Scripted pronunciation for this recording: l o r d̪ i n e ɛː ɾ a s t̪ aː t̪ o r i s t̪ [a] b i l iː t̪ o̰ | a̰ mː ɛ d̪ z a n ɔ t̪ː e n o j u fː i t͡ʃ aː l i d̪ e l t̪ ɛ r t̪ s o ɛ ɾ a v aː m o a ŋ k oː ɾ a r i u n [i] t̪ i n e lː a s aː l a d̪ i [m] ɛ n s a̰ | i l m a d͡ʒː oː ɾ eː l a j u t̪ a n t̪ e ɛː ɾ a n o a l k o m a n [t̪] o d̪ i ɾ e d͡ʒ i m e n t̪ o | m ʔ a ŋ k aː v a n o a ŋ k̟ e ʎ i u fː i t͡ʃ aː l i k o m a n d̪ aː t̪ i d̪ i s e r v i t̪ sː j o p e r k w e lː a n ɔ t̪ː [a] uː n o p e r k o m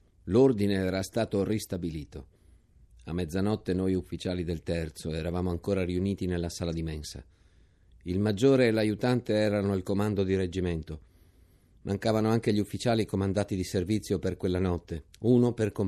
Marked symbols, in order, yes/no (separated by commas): yes, no, yes, no, no